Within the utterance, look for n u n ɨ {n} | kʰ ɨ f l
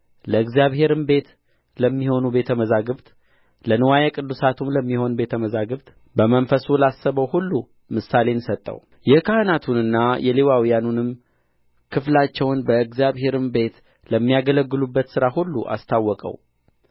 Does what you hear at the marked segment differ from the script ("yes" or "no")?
yes